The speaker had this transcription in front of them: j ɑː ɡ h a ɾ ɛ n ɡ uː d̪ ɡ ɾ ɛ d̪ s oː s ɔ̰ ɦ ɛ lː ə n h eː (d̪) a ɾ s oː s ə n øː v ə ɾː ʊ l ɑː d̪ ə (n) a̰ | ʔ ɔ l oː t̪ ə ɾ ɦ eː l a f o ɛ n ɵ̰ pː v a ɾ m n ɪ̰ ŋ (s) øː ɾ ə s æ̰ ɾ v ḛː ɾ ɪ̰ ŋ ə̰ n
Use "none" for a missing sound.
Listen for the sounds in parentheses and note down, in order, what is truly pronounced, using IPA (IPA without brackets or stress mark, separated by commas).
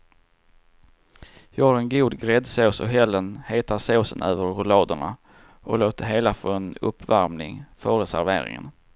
t̪, ɳ, f